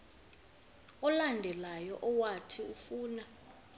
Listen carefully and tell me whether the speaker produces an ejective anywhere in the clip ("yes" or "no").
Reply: no